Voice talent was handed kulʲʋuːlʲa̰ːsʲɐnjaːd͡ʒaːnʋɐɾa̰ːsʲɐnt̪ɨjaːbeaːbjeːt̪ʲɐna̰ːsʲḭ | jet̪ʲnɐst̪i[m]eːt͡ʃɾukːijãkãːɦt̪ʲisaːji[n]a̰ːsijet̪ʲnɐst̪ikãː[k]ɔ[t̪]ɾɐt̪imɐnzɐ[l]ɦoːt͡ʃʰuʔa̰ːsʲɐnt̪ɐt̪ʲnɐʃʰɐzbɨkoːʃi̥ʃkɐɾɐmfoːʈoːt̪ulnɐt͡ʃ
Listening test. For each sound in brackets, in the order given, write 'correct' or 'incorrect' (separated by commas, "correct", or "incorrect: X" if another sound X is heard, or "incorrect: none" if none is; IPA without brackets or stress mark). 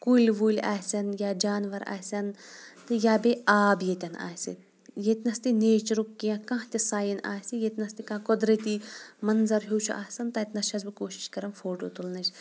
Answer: incorrect: n, correct, correct, incorrect: d̪, incorrect: ɾ